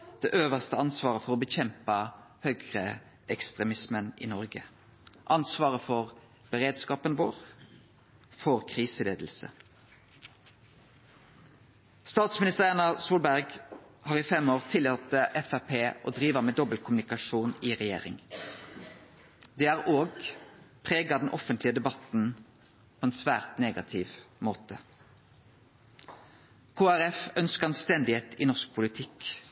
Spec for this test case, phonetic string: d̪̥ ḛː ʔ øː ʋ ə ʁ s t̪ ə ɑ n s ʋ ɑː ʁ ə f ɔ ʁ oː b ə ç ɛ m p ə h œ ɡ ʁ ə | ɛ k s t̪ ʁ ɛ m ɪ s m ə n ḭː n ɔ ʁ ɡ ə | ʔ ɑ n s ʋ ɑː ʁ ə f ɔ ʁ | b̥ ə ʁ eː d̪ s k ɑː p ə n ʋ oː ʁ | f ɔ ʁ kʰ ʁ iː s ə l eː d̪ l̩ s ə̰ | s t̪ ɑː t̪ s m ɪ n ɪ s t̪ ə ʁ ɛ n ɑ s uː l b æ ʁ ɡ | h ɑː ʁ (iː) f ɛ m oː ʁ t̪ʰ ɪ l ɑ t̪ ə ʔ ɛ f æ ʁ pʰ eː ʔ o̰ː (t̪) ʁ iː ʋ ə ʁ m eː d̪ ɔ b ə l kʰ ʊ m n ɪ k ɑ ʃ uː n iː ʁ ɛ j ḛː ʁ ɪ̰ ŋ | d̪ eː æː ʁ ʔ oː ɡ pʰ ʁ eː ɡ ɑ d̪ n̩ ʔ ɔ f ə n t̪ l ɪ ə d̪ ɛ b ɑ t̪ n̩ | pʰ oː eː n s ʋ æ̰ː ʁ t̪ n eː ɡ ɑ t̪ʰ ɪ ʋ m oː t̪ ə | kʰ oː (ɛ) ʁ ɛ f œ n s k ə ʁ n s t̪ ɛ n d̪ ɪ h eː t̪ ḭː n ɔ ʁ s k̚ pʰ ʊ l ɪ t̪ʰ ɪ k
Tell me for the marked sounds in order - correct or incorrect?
correct, incorrect: d̪, incorrect: æ

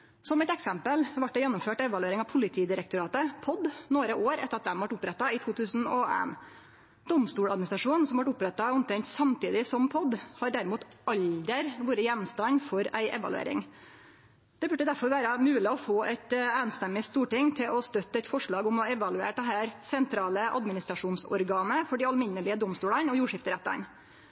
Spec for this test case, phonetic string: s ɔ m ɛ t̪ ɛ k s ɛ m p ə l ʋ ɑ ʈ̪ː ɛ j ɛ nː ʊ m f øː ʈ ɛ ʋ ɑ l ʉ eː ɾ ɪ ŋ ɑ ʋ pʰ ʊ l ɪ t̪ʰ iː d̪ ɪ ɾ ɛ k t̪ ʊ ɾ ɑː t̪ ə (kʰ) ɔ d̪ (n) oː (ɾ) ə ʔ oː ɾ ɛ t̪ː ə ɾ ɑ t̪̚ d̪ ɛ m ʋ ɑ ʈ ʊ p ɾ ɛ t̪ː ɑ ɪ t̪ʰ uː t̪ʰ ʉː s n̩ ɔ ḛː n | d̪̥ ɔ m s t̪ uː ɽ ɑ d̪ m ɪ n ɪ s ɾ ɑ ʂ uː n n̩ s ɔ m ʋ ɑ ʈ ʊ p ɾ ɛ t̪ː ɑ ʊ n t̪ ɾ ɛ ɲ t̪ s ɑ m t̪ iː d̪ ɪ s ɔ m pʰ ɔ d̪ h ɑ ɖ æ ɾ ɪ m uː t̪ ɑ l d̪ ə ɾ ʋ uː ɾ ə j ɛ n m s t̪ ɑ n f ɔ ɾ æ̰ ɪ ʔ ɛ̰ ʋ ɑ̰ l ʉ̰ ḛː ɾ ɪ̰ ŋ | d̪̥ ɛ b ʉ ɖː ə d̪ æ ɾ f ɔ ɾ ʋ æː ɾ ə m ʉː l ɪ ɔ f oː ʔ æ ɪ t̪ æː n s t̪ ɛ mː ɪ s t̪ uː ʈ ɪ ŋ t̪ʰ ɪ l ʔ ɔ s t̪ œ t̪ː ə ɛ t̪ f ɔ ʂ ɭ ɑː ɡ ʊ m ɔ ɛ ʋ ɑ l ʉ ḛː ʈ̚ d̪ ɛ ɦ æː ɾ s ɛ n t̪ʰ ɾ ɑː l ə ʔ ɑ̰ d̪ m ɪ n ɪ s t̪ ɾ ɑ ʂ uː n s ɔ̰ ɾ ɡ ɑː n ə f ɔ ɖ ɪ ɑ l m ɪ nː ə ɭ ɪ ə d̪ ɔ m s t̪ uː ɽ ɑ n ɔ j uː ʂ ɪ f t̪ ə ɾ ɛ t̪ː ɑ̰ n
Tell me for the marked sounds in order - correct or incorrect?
incorrect: pʰ, correct, correct

